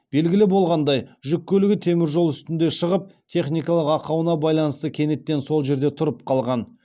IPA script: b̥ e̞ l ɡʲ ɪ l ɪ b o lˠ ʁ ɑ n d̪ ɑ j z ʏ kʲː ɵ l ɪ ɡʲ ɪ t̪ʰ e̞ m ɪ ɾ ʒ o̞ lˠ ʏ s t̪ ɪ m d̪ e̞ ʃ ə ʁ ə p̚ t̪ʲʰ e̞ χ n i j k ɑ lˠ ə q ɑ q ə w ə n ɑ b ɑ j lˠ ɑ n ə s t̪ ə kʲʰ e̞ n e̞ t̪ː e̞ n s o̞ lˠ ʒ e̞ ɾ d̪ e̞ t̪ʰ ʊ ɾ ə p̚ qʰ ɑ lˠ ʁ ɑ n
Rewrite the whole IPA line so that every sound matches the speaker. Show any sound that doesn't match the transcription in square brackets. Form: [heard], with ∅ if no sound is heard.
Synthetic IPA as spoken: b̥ e̞ l ɡʲ ɪ l ɪ b o lˠ ʁ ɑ n d̪ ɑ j [ʒ] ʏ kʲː ɵ l ɪ ɡʲ ɪ t̪ʰ e̞ m ɪ ɾ ʒ o̞ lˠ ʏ s t̪ ɪ [n] d̪ e̞ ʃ ə ʁ ə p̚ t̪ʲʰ e̞ χ n i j k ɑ lˠ ə q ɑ q [ɑ] w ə n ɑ b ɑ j lˠ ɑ n ə s t̪ ə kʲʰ e̞ n e̞ t̪ː e̞ n s o̞ lˠ ʒ e̞ ɾ d̪ e̞ t̪ʰ ʊ ɾ ə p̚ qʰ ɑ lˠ ʁ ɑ n